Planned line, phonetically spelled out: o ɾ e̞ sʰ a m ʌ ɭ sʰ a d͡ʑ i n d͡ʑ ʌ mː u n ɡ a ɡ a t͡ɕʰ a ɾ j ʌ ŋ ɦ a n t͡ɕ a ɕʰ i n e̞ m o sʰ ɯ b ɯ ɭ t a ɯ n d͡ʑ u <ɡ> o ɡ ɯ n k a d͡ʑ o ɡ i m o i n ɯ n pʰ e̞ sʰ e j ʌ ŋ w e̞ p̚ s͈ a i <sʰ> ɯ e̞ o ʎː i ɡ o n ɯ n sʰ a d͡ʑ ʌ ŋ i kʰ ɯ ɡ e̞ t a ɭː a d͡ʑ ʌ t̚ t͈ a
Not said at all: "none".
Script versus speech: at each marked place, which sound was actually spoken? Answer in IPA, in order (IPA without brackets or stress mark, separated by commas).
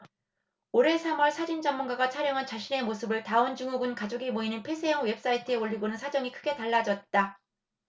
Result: ŋ, tʰ